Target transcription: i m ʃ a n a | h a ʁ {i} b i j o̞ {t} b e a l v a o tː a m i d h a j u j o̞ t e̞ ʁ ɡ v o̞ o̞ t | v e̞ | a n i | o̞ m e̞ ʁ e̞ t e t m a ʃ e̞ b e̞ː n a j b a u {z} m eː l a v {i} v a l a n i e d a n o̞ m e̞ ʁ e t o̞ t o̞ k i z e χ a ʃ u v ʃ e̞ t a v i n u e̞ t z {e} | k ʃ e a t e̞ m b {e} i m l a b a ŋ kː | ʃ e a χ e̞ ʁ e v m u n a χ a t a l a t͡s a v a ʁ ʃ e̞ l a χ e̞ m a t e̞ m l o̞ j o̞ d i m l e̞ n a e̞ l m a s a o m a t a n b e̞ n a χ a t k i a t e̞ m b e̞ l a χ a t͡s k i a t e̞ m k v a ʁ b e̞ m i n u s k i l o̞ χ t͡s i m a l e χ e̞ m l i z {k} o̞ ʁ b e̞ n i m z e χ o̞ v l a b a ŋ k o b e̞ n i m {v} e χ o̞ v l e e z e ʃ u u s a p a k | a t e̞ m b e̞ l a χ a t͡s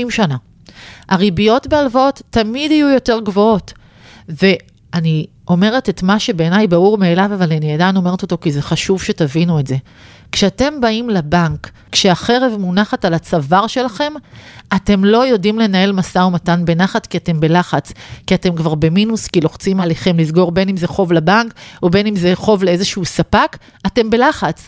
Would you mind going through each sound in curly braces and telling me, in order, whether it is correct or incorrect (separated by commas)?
correct, correct, incorrect, incorrect, correct, incorrect, incorrect, incorrect